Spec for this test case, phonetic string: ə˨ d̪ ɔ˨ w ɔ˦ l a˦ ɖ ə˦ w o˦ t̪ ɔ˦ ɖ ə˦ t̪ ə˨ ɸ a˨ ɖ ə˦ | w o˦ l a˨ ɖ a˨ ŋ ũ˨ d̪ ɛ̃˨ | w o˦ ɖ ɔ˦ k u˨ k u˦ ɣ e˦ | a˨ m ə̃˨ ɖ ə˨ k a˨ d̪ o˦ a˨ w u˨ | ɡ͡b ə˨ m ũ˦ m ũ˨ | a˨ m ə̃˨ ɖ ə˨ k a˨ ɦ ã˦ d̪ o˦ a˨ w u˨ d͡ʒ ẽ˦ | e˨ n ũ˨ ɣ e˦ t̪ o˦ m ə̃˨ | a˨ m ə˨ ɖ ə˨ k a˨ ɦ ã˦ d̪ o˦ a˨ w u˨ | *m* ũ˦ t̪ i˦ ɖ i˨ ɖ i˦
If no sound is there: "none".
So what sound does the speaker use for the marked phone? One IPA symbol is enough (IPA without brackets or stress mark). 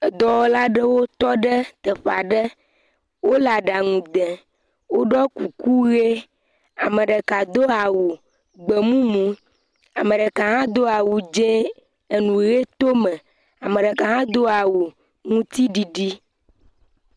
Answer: ŋ